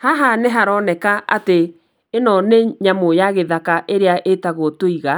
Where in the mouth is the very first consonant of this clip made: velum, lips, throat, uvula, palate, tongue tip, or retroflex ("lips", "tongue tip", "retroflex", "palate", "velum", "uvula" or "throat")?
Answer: throat